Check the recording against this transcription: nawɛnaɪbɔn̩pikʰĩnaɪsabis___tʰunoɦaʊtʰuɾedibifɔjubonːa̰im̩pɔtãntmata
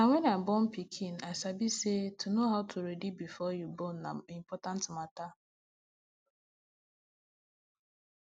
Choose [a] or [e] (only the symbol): e